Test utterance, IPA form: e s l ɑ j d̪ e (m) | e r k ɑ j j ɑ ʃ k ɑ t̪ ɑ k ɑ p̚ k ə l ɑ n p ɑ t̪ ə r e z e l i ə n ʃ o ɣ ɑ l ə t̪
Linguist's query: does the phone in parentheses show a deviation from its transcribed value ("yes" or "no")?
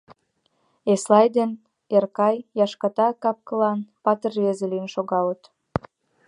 yes